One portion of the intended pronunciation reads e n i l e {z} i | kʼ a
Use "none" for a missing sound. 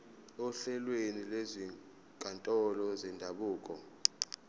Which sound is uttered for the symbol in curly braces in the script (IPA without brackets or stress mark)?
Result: z